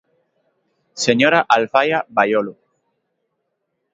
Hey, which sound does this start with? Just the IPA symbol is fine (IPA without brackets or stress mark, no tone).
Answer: s